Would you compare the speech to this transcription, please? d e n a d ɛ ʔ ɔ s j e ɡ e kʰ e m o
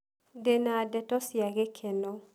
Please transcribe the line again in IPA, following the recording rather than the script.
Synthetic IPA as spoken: d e n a d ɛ t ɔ s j a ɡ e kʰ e n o